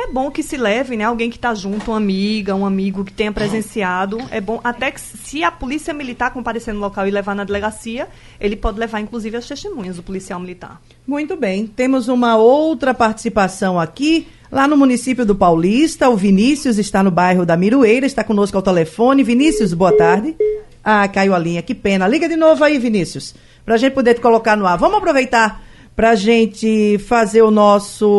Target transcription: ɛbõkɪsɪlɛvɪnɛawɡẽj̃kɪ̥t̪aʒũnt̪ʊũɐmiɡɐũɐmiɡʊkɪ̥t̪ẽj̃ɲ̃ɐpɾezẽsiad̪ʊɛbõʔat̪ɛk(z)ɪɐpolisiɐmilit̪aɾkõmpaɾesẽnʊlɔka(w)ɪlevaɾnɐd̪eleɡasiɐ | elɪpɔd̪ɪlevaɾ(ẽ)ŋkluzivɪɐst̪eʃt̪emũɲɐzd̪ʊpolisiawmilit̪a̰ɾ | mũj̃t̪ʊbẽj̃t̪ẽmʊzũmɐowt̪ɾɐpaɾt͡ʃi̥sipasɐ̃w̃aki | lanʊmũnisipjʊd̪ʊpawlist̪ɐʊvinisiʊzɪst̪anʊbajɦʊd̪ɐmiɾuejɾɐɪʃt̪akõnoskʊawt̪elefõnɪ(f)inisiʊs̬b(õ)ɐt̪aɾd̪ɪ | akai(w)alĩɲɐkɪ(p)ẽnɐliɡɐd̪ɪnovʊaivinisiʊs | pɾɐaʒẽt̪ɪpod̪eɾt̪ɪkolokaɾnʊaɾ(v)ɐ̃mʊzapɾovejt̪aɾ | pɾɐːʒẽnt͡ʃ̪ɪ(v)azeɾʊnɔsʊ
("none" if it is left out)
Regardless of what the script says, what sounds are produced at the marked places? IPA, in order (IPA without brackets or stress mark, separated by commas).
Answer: s, w, ĩ, v, o, w, p, v, f